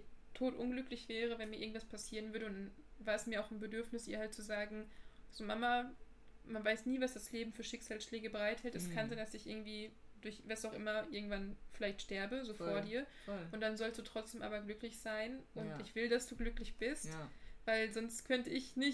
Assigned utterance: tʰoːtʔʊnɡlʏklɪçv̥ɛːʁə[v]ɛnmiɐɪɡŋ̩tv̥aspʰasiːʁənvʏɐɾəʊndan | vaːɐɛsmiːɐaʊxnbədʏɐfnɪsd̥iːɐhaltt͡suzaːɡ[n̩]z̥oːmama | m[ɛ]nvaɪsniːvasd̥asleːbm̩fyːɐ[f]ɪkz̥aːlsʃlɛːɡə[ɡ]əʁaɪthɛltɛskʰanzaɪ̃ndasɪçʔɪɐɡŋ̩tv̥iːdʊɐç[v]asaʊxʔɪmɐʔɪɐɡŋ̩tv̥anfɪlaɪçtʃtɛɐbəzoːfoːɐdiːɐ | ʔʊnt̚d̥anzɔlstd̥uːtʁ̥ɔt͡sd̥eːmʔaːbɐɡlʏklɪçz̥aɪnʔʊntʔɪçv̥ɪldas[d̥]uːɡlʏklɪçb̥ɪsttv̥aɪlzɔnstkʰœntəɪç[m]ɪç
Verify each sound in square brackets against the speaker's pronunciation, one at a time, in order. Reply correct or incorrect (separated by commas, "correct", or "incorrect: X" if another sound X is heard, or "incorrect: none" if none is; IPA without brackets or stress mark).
correct, incorrect: ŋ̩, incorrect: a, incorrect: ʃ, incorrect: b, correct, correct, incorrect: n